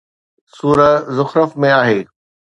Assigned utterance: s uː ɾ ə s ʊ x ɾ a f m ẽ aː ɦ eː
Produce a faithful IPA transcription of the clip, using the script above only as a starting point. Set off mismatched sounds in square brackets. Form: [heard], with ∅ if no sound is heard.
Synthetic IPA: s uː ɾ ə [z] ʊ x ɾ [ə] f m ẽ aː ɦ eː

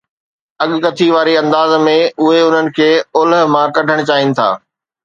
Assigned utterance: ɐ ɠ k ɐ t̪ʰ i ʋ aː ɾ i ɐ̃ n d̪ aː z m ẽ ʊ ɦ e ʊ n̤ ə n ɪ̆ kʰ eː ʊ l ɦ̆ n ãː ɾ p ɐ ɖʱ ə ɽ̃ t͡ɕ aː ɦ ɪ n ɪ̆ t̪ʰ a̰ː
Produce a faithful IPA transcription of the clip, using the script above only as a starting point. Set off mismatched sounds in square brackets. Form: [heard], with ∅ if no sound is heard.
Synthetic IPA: ɐ ɠ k ɐ t̪ʰ i ʋ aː ɾ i ɐ̃ n d̪ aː z m ẽ ʊ ɦ e ʊ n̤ ə n ɪ̆ kʰ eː ʊ l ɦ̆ [m] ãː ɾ [k] ɐ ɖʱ ə ɽ̃ t͡ɕ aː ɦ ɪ n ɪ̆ t̪ʰ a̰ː

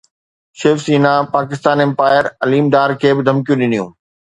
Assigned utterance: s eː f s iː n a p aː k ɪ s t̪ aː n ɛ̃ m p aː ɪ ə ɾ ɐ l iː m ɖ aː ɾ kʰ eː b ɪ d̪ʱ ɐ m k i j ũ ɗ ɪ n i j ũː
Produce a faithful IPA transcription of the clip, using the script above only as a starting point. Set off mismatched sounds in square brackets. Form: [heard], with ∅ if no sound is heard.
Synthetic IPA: [ʃ] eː f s iː n a p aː k ɪ s t̪ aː n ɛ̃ m p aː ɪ ə ɾ ɐ l iː m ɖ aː ɾ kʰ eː b ɪ d̪ʱ ɐ m k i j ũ ɗ ɪ n i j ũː

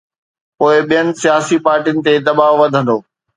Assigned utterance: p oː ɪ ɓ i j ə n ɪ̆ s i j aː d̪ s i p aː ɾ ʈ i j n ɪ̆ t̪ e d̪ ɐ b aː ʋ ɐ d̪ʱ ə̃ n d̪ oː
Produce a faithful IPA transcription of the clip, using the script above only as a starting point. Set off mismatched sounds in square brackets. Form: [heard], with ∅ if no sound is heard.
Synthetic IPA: p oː ɪ ɓ i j ə n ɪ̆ s i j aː [∅] s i p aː ɾ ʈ i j n ɪ̆ t̪ e d̪ ɐ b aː ʋ ɐ d̪ʱ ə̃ n d̪ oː

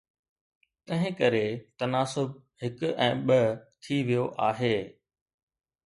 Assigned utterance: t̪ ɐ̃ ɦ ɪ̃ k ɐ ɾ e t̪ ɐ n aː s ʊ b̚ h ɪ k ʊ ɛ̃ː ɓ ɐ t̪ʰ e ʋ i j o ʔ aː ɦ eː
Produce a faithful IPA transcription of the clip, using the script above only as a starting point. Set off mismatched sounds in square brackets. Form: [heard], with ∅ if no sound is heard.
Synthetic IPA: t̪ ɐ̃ ɦ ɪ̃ k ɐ ɾ e t̪ ɐ n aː s ʊ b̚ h ɪ k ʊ ɛ̃ː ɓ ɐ t̪ʰ [i] ʋ i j o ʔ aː ɦ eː

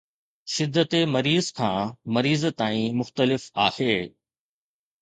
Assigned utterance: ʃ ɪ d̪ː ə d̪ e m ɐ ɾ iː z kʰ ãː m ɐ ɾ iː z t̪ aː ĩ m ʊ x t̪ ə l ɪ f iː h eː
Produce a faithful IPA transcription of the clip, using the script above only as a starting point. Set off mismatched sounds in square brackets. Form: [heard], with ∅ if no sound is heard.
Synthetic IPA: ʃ ɪ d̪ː ə [t̪] e m ɐ ɾ iː z kʰ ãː m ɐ ɾ iː z t̪ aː ĩ m ʊ x t̪ ə l ɪ f [aː] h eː

